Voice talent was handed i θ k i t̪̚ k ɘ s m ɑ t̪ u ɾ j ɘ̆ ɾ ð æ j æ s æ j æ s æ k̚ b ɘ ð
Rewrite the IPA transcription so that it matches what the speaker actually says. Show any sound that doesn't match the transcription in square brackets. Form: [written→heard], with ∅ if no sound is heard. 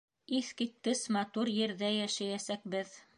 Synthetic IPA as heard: i θ k i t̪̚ k ɘ s m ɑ t̪ u ɾ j ɘ̆ ɾ ð æ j æ [s→ʃ] æ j æ s æ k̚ b ɘ ð